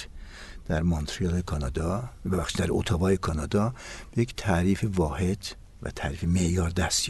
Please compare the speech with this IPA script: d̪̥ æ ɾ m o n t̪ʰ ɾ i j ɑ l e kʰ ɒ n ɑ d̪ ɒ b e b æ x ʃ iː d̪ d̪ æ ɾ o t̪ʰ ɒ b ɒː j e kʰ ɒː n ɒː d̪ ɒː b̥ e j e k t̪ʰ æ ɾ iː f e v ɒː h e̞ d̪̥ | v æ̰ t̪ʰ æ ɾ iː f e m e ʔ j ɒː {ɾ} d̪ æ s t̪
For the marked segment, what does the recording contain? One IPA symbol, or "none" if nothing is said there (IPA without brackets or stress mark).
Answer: ɾ